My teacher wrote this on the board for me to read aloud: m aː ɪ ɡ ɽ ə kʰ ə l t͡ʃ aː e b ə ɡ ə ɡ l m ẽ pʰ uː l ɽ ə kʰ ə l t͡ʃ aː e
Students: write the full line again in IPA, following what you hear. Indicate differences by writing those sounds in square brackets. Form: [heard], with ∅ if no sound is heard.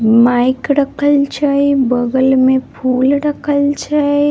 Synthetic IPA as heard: m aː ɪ [k] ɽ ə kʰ ə l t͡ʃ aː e b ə ɡ ə [∅] l m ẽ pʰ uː l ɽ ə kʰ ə l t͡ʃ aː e